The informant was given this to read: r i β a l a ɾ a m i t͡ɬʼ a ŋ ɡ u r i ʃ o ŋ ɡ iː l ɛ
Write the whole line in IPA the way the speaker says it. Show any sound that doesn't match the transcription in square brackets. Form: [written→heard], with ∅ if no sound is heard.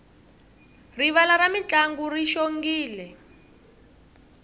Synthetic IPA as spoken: r i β a l a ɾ a m i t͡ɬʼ a ŋ ɡ u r i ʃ o ŋ ɡ iː l ɛ